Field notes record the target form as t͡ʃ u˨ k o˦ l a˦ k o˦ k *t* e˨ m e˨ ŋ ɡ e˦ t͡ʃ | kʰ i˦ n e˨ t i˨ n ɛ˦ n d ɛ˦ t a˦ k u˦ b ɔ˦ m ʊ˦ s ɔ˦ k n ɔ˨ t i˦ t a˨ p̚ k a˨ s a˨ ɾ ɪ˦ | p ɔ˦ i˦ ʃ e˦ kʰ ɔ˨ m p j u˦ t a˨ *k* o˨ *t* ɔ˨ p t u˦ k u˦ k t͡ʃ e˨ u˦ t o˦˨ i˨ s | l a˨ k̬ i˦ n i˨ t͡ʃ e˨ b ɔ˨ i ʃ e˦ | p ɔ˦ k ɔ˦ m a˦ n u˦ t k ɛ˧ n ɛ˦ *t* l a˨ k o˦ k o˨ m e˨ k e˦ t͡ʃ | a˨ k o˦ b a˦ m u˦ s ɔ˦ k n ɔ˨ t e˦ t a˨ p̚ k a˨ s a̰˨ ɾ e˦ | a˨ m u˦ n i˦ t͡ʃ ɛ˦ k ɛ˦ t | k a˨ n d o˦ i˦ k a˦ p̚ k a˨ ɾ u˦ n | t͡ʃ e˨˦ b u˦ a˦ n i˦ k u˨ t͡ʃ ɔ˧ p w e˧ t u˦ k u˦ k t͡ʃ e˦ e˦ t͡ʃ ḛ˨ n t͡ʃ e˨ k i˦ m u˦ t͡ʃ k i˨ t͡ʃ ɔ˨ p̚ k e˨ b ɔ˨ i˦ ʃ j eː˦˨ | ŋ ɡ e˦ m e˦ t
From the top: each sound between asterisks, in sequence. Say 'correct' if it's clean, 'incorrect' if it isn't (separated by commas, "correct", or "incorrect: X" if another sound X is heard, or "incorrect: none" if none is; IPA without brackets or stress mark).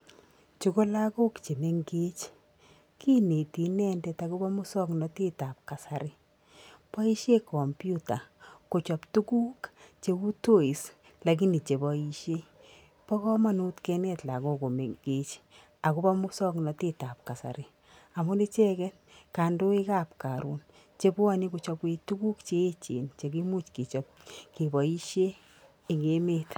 incorrect: t͡ʃ, correct, incorrect: t͡ʃ, correct